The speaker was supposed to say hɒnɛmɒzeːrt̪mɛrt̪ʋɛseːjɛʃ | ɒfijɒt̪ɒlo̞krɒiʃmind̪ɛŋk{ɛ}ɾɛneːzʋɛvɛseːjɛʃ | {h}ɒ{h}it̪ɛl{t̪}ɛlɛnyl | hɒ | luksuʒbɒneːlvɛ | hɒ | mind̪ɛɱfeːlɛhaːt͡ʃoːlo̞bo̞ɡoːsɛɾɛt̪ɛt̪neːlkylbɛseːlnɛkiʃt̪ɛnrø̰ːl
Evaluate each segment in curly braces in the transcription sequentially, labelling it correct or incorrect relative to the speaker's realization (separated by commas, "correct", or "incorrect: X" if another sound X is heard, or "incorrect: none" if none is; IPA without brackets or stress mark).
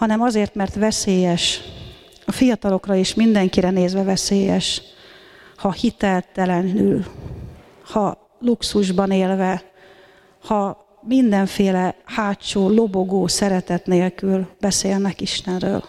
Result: incorrect: i, correct, correct, correct